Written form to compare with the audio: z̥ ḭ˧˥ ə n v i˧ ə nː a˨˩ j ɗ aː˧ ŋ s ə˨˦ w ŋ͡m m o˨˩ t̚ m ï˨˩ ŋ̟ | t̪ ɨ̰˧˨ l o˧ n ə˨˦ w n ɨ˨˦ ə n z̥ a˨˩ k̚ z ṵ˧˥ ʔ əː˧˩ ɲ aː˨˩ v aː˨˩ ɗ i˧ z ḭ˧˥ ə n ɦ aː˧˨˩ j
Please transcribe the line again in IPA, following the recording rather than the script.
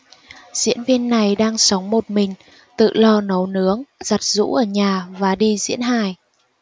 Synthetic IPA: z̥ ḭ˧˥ ə n v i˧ ə nː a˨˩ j ɗ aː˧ ŋ s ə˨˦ w ŋ͡m m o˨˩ t̚ m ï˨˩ ŋ̟ | t̪ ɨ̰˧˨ l ɔ˧ n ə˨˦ w n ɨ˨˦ ə ŋ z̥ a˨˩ t̚ z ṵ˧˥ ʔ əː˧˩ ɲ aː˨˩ v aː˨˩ ɗ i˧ z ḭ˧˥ ə n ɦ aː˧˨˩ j